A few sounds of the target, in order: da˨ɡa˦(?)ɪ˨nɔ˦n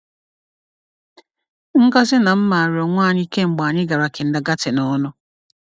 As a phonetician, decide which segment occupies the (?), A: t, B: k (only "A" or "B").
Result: A